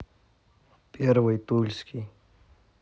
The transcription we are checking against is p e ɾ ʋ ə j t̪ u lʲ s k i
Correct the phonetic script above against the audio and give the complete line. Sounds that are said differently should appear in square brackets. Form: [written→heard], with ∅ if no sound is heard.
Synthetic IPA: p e ɾ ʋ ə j t̪ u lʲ s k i